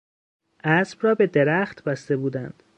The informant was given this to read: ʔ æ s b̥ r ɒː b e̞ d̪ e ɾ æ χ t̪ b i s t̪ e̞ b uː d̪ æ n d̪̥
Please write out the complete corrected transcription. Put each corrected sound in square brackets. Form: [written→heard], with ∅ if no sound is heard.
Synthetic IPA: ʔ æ s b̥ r ɒː b e̞ d̪ e ɾ æ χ t̪ b [i→æ] s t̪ e̞ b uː d̪ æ n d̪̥

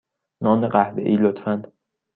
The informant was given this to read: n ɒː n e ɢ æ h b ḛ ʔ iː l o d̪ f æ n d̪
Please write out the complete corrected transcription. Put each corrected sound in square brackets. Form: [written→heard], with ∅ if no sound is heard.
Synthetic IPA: n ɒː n e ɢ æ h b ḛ ʔ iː l o [d̪→t̪] f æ n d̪

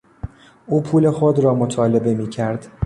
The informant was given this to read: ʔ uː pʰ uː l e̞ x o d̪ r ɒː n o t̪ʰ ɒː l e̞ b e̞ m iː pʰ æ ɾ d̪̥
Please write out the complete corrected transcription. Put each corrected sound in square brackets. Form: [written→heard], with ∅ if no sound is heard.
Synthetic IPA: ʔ uː pʰ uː l e̞ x o d̪ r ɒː [n→m] o t̪ʰ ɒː l e̞ b e̞ m iː [pʰ→cʰ] æ ɾ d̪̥

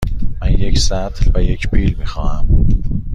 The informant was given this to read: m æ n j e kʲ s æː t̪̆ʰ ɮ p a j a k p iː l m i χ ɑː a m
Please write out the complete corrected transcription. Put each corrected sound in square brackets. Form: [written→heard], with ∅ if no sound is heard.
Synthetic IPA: m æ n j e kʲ s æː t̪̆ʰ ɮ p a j [a→e] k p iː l m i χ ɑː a m

